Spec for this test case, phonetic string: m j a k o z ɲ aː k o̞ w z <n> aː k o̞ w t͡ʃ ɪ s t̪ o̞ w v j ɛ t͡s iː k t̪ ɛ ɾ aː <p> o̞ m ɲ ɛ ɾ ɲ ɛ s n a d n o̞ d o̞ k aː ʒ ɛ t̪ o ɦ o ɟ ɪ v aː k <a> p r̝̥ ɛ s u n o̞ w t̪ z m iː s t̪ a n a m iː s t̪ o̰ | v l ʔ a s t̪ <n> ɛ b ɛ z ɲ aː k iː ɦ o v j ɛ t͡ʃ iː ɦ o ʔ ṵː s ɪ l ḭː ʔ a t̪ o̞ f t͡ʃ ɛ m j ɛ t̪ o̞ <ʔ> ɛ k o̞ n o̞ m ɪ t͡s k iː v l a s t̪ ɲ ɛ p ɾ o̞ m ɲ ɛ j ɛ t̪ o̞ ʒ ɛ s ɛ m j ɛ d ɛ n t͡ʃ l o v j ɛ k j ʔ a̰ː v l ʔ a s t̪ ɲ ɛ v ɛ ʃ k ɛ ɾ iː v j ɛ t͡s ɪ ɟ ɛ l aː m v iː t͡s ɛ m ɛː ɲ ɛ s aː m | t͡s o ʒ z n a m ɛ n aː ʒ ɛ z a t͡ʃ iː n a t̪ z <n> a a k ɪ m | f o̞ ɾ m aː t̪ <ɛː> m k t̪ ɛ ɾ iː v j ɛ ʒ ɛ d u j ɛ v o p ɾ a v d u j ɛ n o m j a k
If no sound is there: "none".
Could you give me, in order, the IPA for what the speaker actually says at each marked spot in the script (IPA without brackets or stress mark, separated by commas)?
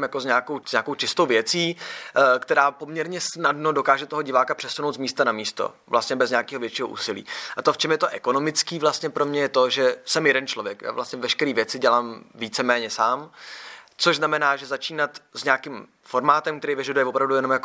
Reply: ɲ, p, a, ɲ, ʔ, ɲ, ɛ